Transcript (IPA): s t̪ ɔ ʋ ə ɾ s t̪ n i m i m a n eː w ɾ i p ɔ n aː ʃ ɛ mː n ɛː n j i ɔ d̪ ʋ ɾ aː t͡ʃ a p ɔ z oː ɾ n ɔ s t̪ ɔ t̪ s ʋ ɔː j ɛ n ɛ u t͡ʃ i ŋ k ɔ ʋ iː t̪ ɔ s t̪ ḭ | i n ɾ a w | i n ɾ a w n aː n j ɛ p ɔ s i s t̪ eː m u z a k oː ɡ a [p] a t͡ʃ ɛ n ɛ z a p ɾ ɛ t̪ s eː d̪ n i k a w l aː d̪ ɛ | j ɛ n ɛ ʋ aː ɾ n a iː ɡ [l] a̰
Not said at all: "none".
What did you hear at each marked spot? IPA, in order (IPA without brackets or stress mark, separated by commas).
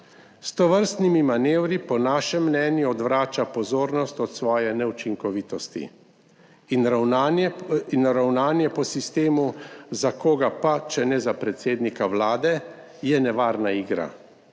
p, ɾ